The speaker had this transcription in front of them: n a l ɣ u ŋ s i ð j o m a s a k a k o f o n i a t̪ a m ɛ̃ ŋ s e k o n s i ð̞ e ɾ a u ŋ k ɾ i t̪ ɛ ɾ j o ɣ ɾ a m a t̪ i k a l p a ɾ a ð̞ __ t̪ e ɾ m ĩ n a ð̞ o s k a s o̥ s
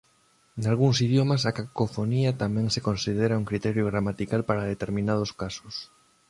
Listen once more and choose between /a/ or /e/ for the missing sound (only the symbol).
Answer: e